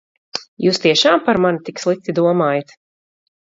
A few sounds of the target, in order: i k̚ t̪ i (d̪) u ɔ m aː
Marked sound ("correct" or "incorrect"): correct